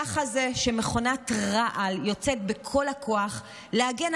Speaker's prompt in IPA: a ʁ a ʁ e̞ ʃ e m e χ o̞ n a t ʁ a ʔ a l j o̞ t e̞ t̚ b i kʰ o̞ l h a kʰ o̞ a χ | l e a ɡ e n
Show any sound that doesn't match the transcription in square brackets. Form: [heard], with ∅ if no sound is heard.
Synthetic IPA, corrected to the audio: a [χ] a [z] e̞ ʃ e m e χ o̞ n a t ʁ a ʔ a l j o̞ [t͡s] e̞ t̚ b [e] kʰ o̞ l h a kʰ o̞ a χ | l e a ɡ e n